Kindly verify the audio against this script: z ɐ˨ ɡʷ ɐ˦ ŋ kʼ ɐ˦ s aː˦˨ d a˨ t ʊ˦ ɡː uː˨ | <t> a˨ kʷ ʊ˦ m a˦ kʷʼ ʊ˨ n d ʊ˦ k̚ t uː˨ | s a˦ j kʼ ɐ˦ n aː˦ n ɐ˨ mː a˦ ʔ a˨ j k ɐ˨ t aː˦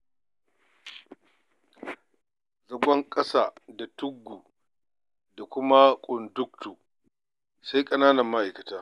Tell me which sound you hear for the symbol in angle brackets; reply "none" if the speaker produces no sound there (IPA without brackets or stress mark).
d